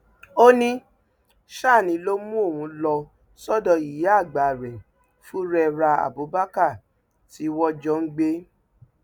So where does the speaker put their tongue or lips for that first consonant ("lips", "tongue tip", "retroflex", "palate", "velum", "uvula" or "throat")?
tongue tip